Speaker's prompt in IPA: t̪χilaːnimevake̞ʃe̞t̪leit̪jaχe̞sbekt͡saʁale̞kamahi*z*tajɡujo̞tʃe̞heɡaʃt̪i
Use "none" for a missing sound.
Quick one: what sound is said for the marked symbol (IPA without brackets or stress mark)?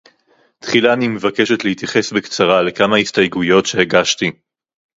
s